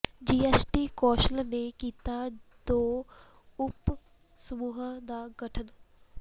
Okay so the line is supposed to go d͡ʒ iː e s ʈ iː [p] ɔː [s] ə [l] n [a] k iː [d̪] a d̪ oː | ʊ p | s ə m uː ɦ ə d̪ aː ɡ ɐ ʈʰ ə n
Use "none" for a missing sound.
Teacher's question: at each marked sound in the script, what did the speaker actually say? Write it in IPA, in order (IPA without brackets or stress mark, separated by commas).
k, ʃ, l, e, t̪